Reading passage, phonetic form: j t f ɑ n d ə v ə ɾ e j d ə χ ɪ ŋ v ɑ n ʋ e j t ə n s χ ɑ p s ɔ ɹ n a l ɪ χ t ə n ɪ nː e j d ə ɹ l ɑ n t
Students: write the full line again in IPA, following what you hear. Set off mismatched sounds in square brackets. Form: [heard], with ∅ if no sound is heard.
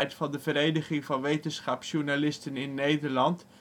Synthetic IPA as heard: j t f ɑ n d ə v ə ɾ e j d ə χ ɪ ŋ v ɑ n ʋ e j t ə n s χ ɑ p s [u] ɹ n a l ɪ [s] t ə n ɪ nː e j d ə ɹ l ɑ n t

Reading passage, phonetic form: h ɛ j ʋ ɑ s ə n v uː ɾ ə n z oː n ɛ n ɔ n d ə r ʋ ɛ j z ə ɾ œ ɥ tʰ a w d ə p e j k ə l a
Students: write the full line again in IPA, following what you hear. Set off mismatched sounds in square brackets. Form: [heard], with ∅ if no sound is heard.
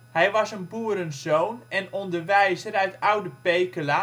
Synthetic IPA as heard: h ɛ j ʋ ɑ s ə n [b] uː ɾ ə n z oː n ɛ n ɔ n d ə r ʋ ɛ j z ə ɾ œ ɥ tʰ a w d ə p e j k ə l a

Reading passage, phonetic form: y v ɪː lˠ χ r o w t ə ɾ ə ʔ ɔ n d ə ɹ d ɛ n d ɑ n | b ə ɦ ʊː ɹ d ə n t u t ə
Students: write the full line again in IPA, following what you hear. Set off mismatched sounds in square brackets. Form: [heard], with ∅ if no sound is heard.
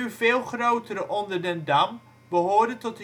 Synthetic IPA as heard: y v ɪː lˠ χ r o w t ə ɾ ə ʔ ɔ n d ə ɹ d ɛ n d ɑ [m] | b ə ɦ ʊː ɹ d ə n t [ɔ] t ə

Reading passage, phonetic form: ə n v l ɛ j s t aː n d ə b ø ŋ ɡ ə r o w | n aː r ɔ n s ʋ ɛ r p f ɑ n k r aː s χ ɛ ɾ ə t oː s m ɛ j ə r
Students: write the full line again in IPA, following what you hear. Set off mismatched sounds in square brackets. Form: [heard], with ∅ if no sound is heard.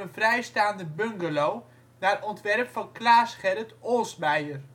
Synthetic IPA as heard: ə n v [r] ɛ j s t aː n d ə b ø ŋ ɡ ə [l] o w | n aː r ɔ n [t] ʋ ɛ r p f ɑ n k [l] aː s χ ɛ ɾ ə t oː s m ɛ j ə r

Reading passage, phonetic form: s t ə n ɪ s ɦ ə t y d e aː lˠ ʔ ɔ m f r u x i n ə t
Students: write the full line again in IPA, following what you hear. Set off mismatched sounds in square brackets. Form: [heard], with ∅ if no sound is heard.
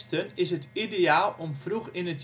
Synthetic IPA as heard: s t ə n ɪ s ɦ ə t [i] d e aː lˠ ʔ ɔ m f r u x [ɪ] n ə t

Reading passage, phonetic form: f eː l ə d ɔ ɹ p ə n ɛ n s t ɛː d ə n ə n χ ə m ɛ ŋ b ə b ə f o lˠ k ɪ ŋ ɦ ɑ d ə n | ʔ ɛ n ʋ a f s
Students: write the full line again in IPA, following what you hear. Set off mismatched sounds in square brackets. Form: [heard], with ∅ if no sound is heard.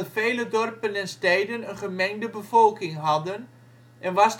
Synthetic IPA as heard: f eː l ə d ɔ [r] p ə n ɛ n s t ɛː d ə n ə n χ ə m ɛ ŋ [d] ə b ə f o lˠ k ɪ ŋ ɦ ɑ d ə n | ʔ ɛ n ʋ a [∅] s

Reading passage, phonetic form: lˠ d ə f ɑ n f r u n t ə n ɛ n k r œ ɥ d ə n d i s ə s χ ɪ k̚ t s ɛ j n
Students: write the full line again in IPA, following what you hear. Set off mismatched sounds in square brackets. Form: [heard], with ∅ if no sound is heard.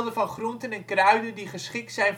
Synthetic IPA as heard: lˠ d ə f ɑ n [χ] r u n t ə n ɛ n k r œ ɥ d ə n d i [χ] ə s χ ɪ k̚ t s ɛ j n

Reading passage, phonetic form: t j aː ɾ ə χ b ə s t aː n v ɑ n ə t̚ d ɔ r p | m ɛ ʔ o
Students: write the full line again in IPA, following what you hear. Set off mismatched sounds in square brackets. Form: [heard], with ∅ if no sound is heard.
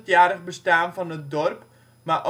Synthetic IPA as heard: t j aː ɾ ə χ b ə s t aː n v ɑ n ə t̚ d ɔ r p | m [a] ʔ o

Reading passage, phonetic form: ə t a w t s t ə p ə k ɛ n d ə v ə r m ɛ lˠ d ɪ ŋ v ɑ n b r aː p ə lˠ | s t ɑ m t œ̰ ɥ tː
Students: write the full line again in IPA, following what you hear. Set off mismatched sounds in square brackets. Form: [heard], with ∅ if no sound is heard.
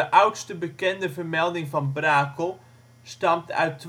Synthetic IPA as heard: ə [ʔ] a w t s t ə [b] ə k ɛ n d ə v ə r m ɛ lˠ d ɪ ŋ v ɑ n b r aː [k] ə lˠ | s t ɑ m t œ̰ ɥ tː

